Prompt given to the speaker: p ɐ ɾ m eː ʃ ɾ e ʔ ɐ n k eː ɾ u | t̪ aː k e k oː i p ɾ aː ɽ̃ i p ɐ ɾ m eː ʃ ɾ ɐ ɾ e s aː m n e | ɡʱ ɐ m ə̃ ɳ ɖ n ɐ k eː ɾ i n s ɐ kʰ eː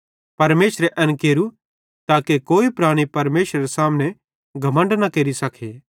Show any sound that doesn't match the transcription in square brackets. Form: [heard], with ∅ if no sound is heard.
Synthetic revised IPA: p ɐ ɾ m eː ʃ ɾ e ʔ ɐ n k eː ɾ u | t̪ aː k e k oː i p ɾ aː ɽ̃ i p ɐ ɾ m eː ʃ ɾ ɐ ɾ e s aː m n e | ɡʱ ɐ m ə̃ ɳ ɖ n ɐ k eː ɾ i [∅] s ɐ kʰ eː